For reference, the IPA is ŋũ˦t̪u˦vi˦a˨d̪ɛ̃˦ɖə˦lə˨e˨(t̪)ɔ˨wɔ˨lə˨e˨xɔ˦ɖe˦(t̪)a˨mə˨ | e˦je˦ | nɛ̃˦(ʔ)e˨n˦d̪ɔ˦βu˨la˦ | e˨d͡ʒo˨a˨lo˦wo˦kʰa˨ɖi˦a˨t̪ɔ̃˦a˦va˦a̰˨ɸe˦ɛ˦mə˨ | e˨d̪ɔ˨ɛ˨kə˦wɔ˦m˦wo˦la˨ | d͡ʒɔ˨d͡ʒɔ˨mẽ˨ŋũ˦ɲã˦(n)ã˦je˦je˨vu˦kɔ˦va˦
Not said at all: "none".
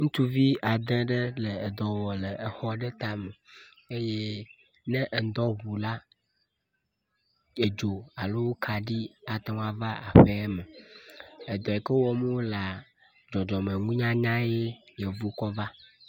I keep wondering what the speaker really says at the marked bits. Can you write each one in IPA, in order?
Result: d̪, t̪, ʔ, ɲ

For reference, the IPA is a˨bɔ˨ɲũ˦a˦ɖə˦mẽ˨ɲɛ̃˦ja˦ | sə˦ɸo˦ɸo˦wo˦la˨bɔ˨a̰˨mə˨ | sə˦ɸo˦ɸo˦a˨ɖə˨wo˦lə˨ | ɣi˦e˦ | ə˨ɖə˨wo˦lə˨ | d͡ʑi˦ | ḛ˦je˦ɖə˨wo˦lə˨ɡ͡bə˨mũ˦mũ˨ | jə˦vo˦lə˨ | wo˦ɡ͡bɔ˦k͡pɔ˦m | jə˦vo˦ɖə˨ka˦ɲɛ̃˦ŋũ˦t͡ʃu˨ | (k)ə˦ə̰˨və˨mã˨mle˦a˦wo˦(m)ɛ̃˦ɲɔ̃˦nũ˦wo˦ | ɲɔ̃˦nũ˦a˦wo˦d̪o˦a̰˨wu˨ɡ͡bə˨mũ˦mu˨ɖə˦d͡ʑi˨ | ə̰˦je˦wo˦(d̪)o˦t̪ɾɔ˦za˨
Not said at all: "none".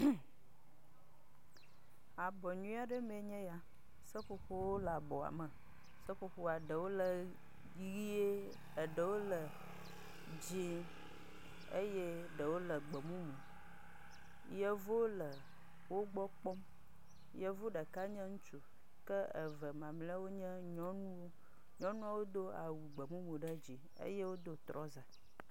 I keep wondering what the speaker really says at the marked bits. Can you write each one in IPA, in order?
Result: k, ɲ, d̪

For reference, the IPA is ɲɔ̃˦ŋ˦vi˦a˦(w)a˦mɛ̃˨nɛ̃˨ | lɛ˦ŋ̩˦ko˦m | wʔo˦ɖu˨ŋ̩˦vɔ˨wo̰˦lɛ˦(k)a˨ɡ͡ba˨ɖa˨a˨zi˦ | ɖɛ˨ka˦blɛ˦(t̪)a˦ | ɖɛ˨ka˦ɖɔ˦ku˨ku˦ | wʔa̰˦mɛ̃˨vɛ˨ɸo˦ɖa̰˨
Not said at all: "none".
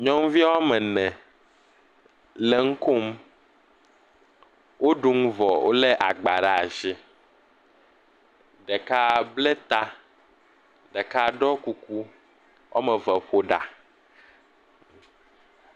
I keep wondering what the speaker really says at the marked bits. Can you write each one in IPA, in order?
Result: w, ʔ, t̪

